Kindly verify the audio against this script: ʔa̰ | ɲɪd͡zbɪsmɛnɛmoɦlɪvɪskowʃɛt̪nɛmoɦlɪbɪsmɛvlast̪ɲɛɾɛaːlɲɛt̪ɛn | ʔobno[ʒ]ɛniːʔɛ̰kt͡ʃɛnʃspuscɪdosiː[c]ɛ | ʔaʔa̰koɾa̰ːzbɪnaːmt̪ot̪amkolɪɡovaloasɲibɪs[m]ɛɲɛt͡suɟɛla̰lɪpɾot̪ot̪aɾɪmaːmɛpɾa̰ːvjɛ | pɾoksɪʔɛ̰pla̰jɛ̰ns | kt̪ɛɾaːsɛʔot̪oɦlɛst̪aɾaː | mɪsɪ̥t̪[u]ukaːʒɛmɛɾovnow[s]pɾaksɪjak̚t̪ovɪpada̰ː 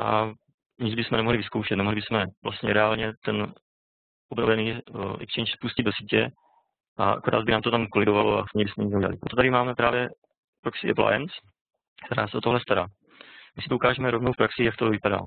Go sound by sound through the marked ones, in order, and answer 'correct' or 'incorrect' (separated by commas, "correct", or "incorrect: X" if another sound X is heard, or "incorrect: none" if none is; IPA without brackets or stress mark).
incorrect: v, correct, correct, incorrect: o, incorrect: f